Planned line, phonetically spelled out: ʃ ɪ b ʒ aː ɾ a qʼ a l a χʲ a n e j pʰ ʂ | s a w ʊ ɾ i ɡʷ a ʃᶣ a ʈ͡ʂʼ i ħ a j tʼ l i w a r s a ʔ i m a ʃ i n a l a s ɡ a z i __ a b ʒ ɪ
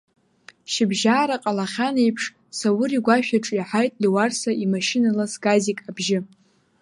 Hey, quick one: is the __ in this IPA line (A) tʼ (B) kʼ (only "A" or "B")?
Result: B